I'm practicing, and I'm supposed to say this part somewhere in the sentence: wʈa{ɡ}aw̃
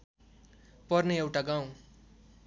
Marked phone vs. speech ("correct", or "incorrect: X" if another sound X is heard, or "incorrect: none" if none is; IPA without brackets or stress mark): correct